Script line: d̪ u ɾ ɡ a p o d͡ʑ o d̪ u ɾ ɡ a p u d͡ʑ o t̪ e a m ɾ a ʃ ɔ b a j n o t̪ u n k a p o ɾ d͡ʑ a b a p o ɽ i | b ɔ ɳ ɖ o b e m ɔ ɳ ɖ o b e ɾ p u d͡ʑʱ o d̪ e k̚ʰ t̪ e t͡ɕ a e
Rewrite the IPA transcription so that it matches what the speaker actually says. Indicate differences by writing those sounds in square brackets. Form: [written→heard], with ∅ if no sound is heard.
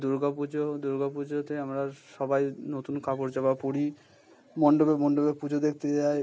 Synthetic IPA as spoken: d̪ u ɾ ɡ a p [o→u] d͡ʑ o d̪ u ɾ ɡ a p u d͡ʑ o t̪ e a m ɾ a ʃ ɔ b a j n o t̪ u n k a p o ɾ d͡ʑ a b a p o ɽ i | [b→m] ɔ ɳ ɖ o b e m ɔ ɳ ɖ o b e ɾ p u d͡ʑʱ o d̪ e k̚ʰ t̪ e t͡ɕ a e